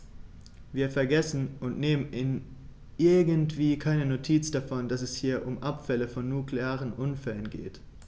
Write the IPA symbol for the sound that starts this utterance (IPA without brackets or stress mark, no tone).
v